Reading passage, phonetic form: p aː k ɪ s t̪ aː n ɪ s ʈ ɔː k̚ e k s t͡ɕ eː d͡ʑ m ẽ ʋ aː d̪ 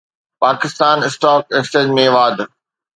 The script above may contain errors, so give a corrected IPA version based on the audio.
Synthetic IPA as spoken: p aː k ɪ s t̪ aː n ɪ s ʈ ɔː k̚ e k s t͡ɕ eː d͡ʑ m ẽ ʋ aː d̪